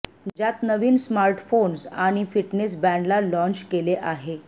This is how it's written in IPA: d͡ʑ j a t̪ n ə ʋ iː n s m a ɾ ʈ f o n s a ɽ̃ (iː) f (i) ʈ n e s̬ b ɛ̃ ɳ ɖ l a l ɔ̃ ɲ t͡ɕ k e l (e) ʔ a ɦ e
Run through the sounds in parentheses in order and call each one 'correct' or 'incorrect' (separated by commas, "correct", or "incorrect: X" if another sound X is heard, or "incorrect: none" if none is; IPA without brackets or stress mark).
incorrect: i, correct, correct